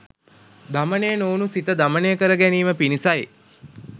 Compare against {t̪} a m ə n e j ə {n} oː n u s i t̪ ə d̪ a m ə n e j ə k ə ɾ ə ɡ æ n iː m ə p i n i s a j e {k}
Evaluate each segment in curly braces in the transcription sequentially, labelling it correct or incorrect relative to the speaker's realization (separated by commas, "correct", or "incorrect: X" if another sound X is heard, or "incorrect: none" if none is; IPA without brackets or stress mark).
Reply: incorrect: d̪, correct, incorrect: none